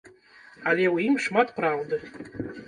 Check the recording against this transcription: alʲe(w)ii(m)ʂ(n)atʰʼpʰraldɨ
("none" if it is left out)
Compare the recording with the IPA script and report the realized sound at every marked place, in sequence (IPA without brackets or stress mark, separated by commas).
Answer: w, m, m